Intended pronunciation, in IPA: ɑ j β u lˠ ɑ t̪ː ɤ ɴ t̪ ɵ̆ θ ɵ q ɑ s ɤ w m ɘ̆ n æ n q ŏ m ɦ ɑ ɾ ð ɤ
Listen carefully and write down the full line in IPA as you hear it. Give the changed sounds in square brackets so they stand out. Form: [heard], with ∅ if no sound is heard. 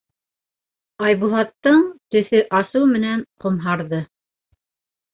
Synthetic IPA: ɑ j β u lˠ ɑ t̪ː ɤ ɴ t̪ ɵ̆ θ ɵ [ʔ] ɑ s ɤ w m ɘ̆ n æ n q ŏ m ɦ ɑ ɾ ð ɤ